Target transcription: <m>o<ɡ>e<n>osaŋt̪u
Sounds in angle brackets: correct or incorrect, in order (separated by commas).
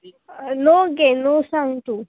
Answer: incorrect, correct, correct